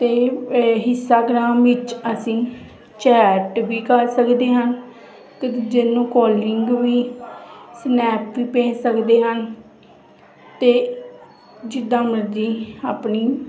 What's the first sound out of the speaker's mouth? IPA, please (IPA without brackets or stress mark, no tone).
t̪